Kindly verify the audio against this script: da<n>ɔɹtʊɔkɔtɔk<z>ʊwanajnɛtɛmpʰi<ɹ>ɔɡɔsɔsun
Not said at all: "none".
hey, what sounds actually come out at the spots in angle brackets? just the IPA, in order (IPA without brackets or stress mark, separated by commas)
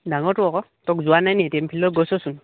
ŋ, z, l